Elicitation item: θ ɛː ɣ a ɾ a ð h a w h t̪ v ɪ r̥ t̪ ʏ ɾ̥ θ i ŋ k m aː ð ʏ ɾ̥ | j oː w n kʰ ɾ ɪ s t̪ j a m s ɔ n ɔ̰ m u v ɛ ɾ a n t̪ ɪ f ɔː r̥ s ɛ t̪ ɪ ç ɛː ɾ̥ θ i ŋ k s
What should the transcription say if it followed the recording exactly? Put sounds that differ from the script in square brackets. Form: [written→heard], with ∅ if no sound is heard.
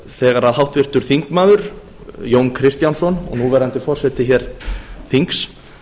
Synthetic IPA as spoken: θ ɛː ɣ a ɾ a ð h a w h t̪ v ɪ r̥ t̪ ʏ ɾ̥ θ i ŋ k m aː ð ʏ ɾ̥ | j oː w n kʰ ɾ ɪ s t̪ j a [m→n] s ɔ n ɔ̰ [m→n] u v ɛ ɾ a n t̪ ɪ f [ɔː→ɔ] r̥ s ɛ t̪ ɪ ç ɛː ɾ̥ θ i ŋ k s